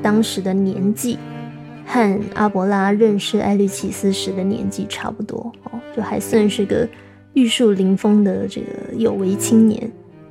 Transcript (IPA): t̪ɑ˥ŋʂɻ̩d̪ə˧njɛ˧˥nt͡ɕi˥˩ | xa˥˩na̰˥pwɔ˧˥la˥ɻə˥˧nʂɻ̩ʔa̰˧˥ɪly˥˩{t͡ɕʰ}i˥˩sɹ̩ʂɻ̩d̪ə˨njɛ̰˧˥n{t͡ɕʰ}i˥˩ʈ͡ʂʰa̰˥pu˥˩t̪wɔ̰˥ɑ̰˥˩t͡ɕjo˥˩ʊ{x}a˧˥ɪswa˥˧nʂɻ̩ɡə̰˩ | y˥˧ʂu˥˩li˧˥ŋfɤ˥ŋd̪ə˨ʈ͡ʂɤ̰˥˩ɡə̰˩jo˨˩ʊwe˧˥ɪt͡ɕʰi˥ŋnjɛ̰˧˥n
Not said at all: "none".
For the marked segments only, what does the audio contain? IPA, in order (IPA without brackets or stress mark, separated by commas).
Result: t͡ɕʰ, t͡ɕ, x